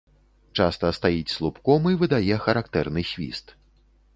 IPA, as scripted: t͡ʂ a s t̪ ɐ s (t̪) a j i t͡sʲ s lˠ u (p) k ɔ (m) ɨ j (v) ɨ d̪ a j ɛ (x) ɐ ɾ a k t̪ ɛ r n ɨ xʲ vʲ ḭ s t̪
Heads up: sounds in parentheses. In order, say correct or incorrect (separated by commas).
correct, correct, correct, correct, correct